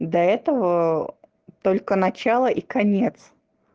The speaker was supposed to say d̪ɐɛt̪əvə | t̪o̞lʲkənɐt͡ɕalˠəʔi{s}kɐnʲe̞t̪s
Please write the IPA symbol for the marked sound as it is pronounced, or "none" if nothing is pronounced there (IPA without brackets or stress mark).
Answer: none